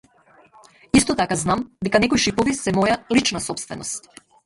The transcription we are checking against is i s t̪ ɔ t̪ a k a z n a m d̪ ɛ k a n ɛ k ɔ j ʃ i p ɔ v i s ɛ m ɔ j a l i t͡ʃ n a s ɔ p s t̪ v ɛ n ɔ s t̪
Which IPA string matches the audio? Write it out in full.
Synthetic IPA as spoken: i s t̪ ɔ t̪ a k a z n a m d̪ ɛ k a n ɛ k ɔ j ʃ i p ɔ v i s ɛ m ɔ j a l i t͡ʃ n a s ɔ p s t̪ v ɛ n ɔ s t̪